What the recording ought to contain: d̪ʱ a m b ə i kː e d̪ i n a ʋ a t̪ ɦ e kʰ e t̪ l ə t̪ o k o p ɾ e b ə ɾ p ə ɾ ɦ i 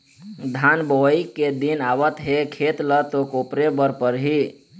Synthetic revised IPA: d̪ʱ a n b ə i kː e d̪ i n a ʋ ə t̪ ɦ e kʰ e t̪ l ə t̪ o k o p ɾ e b ə ɾ p ə ɾ ɦ i